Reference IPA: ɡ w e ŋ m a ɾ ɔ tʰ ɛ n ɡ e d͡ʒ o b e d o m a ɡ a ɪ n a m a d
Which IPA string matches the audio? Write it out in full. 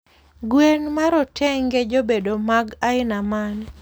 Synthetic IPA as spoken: ɡ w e n m a ɾ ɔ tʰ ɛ ŋ ɡ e d͡ʒ o b e d o m a ɡ a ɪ n a m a n

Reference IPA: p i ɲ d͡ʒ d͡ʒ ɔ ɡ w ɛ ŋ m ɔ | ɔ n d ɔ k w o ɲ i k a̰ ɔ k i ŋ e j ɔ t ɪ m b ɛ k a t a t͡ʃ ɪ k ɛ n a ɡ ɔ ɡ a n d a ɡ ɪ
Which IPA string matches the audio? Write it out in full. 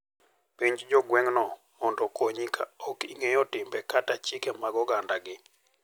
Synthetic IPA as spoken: p i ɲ d͡ʒ d͡ʒ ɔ ɡ w ɛ ŋ n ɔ | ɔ n d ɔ k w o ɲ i k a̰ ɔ k i ŋ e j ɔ t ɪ m b ɛ k a t a t͡ʃ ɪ k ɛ m a ɡ ɔ ɡ a n d a ɡ ɪ

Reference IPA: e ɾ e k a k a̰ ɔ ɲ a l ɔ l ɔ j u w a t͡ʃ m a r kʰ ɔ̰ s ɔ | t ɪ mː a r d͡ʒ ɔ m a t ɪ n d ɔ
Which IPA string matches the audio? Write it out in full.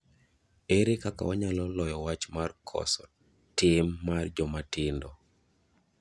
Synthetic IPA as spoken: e ɾ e k a k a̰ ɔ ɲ a l ɔ l ɔ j ɔ w a t͡ʃ m a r kʰ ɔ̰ s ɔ | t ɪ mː a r d͡ʒ ɔ m a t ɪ n d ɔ

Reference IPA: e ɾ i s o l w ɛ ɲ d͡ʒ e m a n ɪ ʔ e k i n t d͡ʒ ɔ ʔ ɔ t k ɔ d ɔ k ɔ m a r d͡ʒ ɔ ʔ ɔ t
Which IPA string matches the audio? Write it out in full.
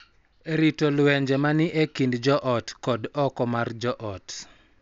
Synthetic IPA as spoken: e ɾ i t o l w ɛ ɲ d͡ʒ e m a n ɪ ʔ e k i n d d͡ʒ ɔ ʔ ɔ t k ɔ d ɔ k ɔ m a r d͡ʒ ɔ ʔ ɔ t

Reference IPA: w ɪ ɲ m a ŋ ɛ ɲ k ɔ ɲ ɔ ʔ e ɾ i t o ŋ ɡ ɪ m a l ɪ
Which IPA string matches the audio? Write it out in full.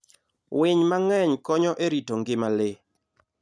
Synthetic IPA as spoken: w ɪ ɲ m a ŋ ɛ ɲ k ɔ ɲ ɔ ʔ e ɾ i t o ŋ ɡ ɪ m a l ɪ

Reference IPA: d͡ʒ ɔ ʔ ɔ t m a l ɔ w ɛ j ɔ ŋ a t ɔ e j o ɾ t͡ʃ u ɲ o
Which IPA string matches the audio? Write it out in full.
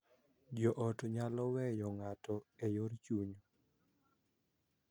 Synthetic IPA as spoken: d͡ʒ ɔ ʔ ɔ t ɲ a l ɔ w ɛ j ɔ ŋ a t ɔ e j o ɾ t͡ʃ u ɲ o

